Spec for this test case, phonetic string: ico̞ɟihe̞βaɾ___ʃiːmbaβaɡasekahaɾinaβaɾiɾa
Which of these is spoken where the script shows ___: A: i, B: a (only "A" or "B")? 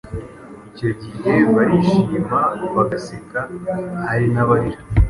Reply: A